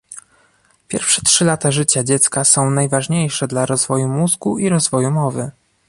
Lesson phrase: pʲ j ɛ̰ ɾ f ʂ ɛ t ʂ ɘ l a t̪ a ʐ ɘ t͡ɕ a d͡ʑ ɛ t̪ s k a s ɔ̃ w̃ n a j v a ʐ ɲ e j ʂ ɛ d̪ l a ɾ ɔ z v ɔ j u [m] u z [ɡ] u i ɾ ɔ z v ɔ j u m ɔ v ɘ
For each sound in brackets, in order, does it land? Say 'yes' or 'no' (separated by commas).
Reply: yes, yes